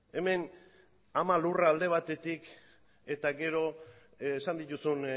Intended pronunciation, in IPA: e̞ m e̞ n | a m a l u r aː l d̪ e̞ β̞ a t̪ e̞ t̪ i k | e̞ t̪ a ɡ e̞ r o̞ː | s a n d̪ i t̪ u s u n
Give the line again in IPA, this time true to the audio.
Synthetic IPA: e̞ m e̞ n | a m a l u r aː l d̪ e̞ β̞ a t̪ e̞ t̪ i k | e̞ t̪ a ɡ e̞ ɾ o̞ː | s a n d̪ i t̪ u s u n